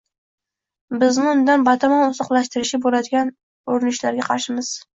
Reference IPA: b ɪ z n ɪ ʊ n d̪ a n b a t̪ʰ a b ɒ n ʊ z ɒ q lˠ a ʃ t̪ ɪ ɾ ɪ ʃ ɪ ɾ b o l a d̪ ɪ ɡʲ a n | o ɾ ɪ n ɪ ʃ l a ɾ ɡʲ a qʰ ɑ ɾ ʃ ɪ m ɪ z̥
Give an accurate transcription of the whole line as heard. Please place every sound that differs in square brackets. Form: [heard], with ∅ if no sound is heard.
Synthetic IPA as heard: b ɪ z n ɪ ʊ n d̪ a n b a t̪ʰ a [m] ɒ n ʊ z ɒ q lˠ a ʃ t̪ ɪ ɾ ɪ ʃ ɪ [∅] b o l a d̪ ɪ ɡʲ a n | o ɾ ɪ n ɪ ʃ l a ɾ ɡʲ a qʰ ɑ ɾ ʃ ɪ m ɪ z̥